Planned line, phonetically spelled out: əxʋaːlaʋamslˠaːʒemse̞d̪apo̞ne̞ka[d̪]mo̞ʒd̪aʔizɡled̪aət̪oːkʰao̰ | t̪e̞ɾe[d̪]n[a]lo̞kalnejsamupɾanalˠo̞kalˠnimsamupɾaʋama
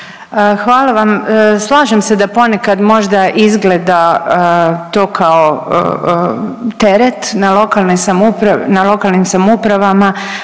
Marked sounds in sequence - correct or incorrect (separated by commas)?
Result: correct, incorrect, correct